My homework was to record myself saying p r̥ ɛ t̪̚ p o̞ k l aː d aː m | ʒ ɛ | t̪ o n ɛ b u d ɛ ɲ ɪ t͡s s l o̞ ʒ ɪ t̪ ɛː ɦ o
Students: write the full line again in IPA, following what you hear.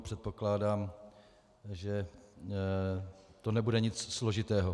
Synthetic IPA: p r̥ ɛ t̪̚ p o̞ k l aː d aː m | ʒ ɛ | t̪ o n ɛ b u d ɛ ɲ ɪ t͡s s l o̞ ʒ ɪ t̪ ɛː ɦ o